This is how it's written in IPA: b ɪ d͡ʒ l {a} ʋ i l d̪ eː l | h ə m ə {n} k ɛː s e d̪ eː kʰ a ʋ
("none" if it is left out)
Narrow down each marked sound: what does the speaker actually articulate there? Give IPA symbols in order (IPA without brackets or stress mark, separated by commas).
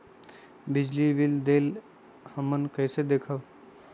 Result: i, n